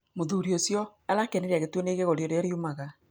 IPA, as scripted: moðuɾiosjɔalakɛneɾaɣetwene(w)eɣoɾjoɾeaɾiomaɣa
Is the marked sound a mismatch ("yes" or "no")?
yes